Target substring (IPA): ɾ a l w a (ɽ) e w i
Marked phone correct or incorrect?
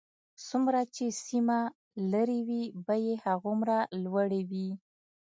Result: correct